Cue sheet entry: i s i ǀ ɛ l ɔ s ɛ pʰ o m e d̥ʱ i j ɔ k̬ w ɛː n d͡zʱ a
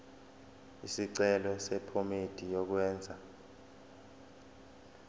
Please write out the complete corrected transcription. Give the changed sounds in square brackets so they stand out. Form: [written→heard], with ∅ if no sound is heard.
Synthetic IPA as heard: i s i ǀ ɛ l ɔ s ɛ pʰ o m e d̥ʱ i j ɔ k̬ w ɛː n d͡zʱ a